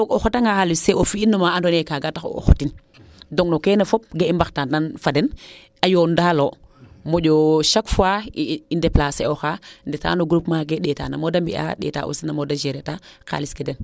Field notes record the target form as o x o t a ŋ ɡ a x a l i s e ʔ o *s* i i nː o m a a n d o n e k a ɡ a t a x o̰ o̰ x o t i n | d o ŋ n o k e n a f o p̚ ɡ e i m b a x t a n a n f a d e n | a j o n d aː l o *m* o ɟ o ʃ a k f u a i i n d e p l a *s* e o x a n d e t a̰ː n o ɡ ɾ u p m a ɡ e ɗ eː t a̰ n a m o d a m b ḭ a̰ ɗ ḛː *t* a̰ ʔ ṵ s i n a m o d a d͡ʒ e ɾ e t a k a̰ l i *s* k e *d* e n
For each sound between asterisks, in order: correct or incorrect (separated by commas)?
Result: incorrect, correct, correct, correct, correct, correct